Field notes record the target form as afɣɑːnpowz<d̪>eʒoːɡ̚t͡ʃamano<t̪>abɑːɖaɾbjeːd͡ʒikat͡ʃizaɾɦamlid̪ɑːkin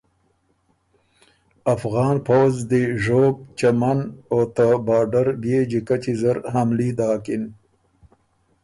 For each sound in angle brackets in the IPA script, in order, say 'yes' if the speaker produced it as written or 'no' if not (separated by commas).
yes, yes